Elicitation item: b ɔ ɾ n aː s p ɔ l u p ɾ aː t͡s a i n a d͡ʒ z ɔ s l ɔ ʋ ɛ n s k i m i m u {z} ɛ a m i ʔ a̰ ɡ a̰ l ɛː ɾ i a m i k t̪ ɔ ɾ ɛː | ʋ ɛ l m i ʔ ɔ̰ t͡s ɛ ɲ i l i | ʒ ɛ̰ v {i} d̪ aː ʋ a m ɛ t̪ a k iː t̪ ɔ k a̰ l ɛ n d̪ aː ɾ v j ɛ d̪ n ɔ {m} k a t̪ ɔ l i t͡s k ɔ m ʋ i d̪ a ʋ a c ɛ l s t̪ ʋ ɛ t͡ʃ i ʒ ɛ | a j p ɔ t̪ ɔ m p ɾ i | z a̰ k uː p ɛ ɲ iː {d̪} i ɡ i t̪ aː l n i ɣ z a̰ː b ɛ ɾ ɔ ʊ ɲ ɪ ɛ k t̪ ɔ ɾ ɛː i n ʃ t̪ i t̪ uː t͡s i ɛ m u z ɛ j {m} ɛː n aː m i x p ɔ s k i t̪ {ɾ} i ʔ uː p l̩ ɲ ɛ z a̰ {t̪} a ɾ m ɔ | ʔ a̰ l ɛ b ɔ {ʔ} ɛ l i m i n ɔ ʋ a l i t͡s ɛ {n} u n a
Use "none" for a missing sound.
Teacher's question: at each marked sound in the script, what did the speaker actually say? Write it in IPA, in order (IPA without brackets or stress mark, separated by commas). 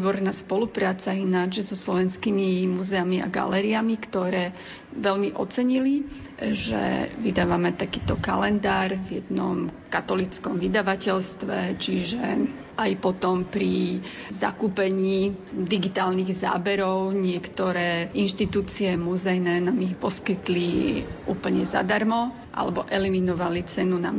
z, i, m, d̪, n, l, d̪, ʔ, n